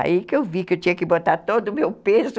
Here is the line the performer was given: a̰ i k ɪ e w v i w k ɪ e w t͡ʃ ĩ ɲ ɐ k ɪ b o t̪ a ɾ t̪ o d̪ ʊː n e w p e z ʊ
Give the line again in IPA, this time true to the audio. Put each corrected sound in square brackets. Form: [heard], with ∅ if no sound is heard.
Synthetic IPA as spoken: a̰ i k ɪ e w v i [∅] k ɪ e w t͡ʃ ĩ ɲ ɐ k ɪ b o t̪ a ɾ t̪ o d̪ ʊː [m] e w p e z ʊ